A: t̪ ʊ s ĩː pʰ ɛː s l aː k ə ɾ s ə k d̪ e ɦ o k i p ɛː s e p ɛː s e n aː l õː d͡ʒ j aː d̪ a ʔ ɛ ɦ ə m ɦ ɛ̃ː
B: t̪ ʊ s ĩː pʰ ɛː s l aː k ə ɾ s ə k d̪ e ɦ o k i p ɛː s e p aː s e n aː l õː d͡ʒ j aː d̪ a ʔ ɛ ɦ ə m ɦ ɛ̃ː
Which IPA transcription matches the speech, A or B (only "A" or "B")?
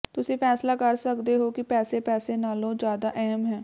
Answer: A